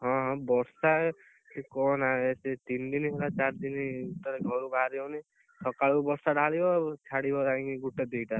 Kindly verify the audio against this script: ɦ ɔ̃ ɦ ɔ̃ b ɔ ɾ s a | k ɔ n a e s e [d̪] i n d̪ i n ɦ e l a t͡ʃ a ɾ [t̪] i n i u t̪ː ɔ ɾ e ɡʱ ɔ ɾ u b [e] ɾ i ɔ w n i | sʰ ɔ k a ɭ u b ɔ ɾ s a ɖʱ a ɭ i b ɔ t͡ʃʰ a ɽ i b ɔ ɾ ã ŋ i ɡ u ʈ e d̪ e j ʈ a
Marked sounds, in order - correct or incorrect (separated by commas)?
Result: incorrect, incorrect, incorrect